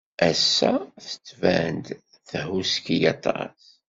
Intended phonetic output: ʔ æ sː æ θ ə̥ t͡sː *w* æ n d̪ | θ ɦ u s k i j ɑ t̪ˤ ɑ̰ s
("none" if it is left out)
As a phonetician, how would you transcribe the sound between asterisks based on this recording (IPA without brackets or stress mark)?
v